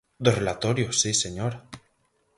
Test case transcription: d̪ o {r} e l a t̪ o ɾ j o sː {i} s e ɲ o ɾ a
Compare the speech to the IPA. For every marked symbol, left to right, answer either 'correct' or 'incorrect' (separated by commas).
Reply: correct, correct